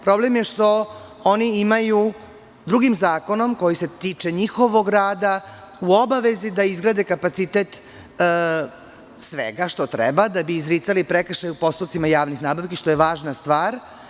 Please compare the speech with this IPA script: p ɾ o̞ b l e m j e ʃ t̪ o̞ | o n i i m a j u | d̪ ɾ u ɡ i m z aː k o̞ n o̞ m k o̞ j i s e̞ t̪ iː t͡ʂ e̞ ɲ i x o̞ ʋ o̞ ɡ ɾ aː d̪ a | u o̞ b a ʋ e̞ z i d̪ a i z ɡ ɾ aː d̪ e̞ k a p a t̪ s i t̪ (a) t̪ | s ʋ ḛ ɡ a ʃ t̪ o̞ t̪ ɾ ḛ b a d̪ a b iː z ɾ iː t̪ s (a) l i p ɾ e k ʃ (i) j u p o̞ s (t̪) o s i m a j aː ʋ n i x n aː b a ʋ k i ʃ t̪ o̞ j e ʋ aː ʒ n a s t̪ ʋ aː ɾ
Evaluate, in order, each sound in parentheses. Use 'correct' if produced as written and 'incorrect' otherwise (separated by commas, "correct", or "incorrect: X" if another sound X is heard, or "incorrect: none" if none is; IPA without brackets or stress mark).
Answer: incorrect: e, correct, incorrect: a, correct